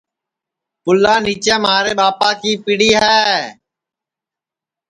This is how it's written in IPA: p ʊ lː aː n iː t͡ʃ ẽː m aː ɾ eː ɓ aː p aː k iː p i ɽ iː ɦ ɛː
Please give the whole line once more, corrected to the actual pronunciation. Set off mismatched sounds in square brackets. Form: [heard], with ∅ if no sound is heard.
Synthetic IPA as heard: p ʊ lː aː n iː t͡ʃ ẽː m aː ɾ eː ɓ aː p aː k iː p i ɽ iː ɦ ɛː